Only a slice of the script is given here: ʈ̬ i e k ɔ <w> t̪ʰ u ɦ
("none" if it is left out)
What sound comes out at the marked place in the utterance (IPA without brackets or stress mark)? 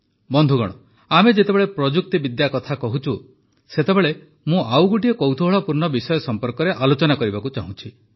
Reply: w